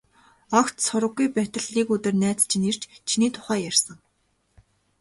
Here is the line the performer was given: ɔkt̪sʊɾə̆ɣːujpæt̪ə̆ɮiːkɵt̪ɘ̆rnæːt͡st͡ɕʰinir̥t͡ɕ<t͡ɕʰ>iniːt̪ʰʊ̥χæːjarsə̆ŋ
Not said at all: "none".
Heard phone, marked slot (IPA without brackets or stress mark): t͡ɕʰ